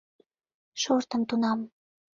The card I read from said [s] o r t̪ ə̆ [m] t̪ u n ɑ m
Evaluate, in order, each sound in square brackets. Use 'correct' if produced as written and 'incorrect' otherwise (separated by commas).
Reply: incorrect, correct